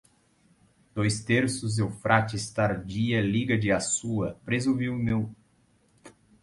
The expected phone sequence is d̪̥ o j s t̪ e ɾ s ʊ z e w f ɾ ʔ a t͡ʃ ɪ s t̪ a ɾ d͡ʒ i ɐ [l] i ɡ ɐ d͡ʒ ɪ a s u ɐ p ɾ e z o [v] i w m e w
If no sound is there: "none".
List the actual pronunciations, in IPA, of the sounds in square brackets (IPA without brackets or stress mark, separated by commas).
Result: l, v